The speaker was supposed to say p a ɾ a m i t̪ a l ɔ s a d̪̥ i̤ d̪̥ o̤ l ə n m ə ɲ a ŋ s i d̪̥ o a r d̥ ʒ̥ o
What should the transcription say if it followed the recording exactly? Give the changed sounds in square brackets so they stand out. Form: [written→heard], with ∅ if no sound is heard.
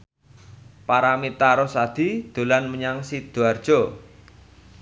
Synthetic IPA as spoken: p a ɾ a m i t̪ a [l→ɾ] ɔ s a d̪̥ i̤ d̪̥ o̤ l [ə→a] n m ə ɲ a ŋ s i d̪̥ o a r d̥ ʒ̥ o